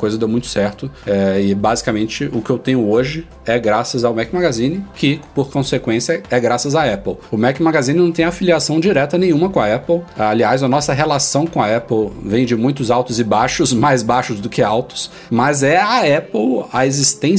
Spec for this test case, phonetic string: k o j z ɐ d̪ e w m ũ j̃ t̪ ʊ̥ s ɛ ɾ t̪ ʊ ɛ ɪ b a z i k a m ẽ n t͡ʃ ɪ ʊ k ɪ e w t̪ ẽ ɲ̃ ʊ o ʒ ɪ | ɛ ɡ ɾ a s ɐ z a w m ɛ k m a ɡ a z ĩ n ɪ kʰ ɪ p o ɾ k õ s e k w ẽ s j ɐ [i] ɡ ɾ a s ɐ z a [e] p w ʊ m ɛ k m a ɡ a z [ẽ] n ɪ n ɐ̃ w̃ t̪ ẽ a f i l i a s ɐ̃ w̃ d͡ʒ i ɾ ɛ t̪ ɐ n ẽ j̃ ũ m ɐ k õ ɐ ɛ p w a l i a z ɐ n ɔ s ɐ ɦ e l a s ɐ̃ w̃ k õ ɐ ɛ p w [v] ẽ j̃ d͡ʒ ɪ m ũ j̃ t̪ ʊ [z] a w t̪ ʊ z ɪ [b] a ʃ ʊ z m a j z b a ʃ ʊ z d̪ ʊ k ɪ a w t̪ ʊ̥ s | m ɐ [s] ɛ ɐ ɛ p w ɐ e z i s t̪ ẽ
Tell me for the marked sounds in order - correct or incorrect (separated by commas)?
incorrect, incorrect, incorrect, correct, correct, correct, incorrect